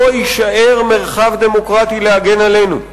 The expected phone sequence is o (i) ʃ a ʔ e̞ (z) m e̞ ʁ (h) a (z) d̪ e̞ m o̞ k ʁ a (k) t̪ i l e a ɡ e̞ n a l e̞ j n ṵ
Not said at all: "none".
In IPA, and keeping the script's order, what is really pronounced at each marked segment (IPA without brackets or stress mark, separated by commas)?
i, ʁ, χ, v, none